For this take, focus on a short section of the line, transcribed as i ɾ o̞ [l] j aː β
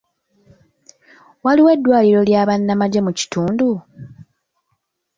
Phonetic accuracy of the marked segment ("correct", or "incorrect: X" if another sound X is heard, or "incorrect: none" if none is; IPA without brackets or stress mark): correct